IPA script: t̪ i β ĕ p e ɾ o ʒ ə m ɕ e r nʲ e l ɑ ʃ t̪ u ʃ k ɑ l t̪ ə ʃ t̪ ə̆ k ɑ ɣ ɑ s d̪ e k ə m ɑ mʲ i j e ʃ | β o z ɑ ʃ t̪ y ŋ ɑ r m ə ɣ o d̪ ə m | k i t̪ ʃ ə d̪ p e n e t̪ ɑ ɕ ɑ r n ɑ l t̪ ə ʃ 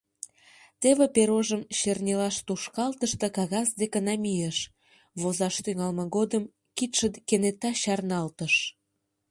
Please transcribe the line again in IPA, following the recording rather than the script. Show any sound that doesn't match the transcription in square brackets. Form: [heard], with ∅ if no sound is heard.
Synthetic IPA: t̪ [e] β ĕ p e ɾ o ʒ ə m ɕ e r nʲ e l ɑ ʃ t̪ u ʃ k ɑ l t̪ ə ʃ t̪ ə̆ k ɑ ɣ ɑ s d̪ e k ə [n] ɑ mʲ i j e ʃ | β o z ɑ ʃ t̪ y ŋ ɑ [l] m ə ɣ o d̪ ə m | k i t̪ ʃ ə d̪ [k] e n e t̪ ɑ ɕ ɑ r n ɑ l t̪ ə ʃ